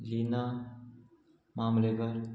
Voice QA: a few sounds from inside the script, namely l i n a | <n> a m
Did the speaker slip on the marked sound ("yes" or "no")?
yes